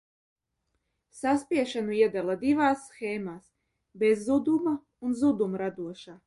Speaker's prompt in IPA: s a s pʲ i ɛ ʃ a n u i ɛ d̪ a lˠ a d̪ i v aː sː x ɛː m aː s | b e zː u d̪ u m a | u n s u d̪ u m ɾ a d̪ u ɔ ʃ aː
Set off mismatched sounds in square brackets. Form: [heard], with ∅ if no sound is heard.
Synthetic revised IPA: s a s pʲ i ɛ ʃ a n u i ɛ d̪ a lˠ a d̪ i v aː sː x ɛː m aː s | b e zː u d̪ u m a | u n [z] u d̪ u m ɾ a d̪ u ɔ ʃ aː